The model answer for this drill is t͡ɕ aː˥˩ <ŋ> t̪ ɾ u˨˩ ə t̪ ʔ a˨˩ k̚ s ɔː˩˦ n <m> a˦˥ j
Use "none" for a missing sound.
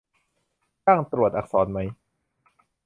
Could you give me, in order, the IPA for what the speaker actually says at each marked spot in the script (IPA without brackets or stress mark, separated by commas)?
ŋ, m